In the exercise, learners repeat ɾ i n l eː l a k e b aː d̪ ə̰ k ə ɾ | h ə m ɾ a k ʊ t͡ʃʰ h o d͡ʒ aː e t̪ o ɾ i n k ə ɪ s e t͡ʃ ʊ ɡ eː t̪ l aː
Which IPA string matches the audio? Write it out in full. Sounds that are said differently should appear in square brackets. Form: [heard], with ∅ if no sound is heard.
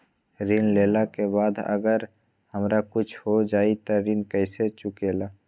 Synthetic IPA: ɾ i n l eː l a k e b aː d̪ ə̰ [ɡ] ə ɾ | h ə m ɾ a k ʊ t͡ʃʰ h o d͡ʒ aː [i] t̪ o ɾ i n k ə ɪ s e t͡ʃ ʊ [k] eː [∅] l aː